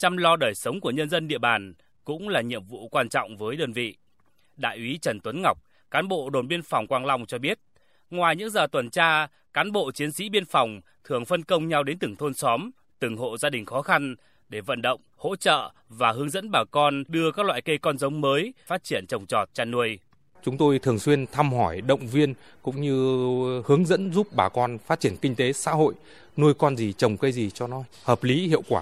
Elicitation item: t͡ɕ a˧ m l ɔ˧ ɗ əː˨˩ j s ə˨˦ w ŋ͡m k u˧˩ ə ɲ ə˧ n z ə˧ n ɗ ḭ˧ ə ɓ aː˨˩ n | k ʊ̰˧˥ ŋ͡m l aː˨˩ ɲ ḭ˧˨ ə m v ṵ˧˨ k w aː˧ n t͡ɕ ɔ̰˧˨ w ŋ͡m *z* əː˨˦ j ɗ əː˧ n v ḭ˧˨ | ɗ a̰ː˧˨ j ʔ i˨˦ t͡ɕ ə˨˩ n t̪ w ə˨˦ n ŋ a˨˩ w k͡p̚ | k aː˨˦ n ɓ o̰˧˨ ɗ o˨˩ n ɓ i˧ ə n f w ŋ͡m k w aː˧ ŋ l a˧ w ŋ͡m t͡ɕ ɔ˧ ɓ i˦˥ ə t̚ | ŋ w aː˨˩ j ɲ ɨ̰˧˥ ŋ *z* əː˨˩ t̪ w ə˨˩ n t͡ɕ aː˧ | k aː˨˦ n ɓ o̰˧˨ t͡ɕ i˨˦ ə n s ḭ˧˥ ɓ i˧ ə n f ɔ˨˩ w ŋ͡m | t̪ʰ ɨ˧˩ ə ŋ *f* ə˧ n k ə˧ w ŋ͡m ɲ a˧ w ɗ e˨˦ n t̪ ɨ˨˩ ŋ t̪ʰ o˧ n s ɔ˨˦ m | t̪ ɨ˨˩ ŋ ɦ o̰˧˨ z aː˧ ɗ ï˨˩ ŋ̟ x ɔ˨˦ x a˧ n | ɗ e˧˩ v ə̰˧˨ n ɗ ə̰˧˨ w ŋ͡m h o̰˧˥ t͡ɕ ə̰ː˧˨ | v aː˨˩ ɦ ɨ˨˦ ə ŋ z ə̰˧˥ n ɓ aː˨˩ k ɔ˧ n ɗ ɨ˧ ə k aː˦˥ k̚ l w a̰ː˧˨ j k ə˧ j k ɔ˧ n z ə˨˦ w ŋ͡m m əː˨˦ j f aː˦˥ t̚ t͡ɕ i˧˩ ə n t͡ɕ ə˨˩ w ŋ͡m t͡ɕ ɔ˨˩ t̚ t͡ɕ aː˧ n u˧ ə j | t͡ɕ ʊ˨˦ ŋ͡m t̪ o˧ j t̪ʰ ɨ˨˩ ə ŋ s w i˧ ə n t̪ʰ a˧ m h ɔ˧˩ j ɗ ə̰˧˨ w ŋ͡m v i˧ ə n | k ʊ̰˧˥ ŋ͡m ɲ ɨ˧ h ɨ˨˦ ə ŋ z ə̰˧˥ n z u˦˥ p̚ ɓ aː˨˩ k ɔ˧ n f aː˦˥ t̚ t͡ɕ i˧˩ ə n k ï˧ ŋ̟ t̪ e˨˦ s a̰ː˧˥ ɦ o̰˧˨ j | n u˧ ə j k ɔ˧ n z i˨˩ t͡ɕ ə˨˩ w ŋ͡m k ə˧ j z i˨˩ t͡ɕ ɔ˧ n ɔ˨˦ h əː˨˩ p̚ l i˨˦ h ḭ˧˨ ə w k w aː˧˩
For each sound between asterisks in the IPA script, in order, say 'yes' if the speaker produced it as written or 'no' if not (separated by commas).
no, yes, yes